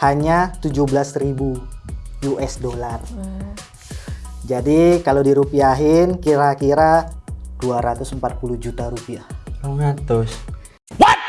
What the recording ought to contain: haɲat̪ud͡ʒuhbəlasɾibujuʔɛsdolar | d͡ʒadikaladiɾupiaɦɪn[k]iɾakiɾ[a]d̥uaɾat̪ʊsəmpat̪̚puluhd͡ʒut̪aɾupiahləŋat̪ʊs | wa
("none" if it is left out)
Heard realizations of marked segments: k, a

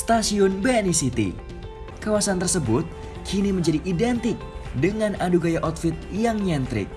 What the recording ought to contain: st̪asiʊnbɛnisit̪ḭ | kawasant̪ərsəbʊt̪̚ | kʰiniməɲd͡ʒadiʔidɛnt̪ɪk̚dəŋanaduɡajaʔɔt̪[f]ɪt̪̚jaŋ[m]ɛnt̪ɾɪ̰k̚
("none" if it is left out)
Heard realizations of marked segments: f, ɲ

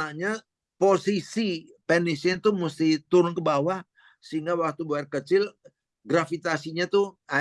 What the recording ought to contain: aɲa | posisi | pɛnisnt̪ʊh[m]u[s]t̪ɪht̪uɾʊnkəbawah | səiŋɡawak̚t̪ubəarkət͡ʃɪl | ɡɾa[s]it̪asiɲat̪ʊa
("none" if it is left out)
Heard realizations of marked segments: m, s, f

